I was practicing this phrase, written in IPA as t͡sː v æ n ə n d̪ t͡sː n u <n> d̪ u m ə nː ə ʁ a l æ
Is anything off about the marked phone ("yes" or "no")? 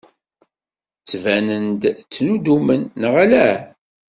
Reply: yes